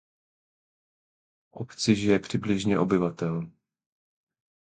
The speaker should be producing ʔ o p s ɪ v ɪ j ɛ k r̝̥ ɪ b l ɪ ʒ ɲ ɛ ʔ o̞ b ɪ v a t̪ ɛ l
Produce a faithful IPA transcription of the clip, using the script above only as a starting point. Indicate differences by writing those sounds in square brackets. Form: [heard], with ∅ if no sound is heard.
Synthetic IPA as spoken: ʔ o p [t͡s] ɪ [ʒ] ɪ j ɛ [p] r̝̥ ɪ b l ɪ ʒ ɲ ɛ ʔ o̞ b ɪ v a t̪ ɛ l